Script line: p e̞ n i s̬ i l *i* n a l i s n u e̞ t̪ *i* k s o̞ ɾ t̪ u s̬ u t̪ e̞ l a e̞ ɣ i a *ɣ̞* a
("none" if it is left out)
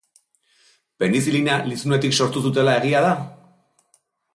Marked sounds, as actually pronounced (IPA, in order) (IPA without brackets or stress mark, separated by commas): i, i, ð̞